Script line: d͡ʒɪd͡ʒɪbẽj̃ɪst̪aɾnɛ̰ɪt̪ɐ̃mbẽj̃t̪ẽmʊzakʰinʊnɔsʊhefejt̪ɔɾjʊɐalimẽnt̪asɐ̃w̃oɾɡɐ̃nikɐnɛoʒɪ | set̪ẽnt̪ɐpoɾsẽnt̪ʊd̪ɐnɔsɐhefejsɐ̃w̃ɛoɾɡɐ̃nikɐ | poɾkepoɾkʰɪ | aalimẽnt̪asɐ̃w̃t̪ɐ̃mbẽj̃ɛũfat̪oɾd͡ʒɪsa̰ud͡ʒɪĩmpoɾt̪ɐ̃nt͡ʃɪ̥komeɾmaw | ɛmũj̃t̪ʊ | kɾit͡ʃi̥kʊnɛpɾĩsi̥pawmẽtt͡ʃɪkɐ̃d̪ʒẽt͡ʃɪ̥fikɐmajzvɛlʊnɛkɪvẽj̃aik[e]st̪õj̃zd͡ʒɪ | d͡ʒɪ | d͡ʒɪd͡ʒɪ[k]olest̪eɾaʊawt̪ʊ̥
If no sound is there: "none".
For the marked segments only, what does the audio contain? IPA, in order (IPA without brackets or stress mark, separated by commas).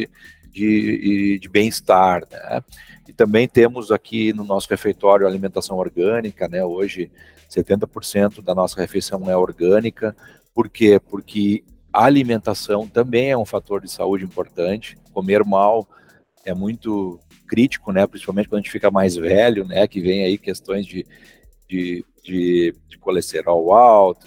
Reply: e, k